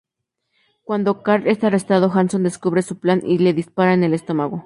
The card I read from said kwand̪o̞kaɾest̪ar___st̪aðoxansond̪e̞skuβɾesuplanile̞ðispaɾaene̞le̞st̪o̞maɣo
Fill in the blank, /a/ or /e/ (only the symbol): e